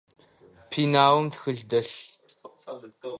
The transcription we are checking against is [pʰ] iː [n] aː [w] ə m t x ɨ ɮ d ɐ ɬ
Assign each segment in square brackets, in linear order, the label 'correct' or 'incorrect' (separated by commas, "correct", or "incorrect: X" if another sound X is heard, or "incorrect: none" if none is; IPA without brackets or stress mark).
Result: correct, correct, correct